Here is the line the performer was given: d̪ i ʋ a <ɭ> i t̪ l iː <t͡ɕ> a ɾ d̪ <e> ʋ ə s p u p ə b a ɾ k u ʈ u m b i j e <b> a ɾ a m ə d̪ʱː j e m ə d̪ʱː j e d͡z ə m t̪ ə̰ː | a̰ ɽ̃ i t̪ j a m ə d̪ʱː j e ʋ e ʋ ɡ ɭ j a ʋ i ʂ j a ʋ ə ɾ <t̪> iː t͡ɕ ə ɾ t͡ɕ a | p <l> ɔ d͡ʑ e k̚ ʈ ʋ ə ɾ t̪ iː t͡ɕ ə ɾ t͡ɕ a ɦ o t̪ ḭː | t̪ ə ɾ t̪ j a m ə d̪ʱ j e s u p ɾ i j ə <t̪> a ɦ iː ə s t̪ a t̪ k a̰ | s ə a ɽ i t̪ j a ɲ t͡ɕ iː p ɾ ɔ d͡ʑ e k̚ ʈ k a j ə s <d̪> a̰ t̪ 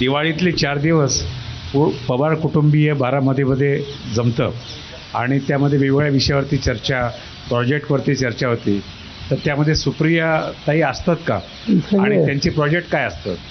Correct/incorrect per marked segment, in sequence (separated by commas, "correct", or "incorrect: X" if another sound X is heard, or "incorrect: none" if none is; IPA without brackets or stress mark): correct, correct, incorrect: i, correct, correct, incorrect: ɾ, correct, incorrect: t̪